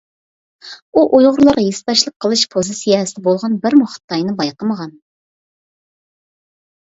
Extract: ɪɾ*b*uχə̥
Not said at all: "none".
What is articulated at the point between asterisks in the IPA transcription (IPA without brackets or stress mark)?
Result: m